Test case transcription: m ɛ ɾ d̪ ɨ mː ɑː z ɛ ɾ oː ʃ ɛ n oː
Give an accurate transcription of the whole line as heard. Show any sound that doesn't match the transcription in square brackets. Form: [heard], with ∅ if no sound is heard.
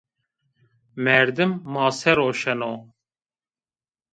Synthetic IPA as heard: m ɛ ɾ d̪ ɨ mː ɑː [s] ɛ ɾ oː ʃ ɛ n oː

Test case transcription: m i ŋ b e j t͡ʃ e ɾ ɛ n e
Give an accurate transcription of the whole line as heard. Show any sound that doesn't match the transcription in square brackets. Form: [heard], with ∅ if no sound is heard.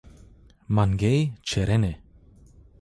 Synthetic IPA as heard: m [a] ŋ [ɡ] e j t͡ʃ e ɾ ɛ n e

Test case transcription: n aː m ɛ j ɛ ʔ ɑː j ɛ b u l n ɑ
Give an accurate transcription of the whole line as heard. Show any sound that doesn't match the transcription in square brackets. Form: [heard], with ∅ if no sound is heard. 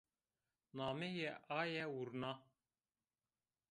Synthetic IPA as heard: n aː m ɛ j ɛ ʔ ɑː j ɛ [w] u [ɾ] n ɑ

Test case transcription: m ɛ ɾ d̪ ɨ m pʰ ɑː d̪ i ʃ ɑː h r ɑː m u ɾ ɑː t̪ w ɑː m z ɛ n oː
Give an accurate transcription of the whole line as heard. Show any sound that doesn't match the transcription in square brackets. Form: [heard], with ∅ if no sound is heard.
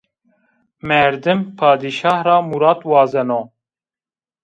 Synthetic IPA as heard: m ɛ ɾ d̪ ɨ m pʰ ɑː d̪ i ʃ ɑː h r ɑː m u ɾ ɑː t̪ w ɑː [∅] z ɛ n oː

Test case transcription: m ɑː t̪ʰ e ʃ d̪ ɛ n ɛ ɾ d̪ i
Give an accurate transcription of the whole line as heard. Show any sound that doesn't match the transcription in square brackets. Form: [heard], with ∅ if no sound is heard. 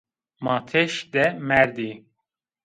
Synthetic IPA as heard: m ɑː t̪ʰ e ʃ d̪ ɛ [m] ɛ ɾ d̪ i

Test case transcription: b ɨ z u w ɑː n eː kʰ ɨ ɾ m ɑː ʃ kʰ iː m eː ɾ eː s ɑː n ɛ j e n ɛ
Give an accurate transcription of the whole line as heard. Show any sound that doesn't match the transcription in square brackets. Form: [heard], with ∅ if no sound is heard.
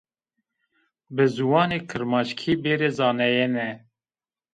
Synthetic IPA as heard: b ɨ z u w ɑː n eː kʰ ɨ ɾ m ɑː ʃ kʰ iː [b] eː ɾ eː [z] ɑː n ɛ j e n ɛ

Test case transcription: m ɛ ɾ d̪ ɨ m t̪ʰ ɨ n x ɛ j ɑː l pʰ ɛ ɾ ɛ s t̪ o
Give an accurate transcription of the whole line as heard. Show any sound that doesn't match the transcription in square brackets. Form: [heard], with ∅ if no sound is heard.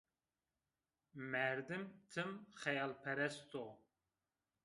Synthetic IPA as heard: m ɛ ɾ d̪ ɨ m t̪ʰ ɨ [m] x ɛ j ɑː l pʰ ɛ ɾ ɛ s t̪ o

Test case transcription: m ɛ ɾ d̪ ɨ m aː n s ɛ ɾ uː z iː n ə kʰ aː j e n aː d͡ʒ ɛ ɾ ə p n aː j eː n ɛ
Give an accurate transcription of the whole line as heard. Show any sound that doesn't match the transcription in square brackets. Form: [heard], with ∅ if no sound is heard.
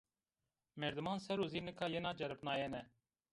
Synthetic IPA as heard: m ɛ ɾ d̪ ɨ m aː n s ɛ ɾ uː z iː n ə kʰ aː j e n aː d͡ʒ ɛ ɾ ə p n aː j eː n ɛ

